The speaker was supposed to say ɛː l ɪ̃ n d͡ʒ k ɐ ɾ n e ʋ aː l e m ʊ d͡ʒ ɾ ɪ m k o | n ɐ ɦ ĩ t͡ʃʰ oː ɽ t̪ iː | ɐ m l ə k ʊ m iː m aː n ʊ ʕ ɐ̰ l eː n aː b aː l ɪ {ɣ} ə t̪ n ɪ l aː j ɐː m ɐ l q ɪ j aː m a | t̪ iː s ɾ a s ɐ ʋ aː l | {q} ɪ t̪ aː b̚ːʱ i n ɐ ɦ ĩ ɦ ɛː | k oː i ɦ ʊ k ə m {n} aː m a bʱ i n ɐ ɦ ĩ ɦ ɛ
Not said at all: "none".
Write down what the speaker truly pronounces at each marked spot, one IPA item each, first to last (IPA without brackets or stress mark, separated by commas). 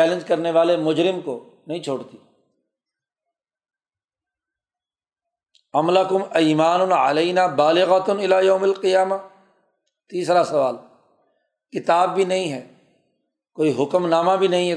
ɣ, k, n